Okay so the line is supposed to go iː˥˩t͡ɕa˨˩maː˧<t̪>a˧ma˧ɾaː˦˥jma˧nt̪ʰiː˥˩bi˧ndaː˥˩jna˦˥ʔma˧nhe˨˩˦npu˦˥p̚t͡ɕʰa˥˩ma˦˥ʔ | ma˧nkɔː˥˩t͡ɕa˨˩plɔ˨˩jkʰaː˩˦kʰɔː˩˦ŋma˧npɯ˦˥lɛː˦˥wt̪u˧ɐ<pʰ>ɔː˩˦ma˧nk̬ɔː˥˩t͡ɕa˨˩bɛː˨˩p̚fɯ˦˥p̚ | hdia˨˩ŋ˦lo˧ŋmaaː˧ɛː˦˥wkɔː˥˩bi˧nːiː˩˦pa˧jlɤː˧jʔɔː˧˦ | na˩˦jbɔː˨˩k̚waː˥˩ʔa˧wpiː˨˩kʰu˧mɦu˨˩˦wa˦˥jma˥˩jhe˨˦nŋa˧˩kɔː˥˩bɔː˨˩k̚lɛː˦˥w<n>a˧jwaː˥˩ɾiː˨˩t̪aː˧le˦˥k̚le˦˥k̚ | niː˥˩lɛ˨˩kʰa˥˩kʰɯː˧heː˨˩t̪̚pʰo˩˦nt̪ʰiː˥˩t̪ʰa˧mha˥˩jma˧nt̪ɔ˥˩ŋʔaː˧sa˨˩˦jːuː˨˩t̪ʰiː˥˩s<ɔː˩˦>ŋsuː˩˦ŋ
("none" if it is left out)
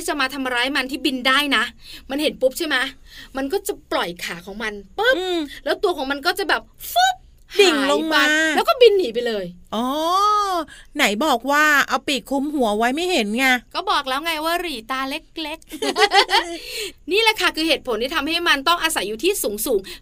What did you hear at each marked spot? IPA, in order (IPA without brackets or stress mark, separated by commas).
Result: t̪ʰ, kʰ, ŋ, uː˩˦